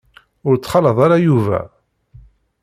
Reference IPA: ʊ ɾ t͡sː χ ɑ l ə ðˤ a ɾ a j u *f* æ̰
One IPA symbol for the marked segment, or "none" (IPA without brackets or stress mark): v